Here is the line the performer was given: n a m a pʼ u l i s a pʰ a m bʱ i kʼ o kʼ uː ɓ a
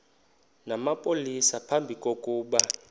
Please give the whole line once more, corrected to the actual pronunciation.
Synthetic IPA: n a m a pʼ o l i s a pʰ a m bʱ i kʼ o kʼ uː ɓ a